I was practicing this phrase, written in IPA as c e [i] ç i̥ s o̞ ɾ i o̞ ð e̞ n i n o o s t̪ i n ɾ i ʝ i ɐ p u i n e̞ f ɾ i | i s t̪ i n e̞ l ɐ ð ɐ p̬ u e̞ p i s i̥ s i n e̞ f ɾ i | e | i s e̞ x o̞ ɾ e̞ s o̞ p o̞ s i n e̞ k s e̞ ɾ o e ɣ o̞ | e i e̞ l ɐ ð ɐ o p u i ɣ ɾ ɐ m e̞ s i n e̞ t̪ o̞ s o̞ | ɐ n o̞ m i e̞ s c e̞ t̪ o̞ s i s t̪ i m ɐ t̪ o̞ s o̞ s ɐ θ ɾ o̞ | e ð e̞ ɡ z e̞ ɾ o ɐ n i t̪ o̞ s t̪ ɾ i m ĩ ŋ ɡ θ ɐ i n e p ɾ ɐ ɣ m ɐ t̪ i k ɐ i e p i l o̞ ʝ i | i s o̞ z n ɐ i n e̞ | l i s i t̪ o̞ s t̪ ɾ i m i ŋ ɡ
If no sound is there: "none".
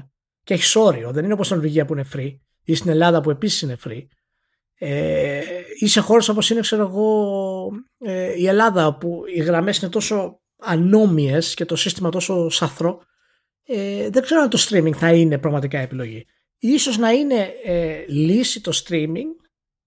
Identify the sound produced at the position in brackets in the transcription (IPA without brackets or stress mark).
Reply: e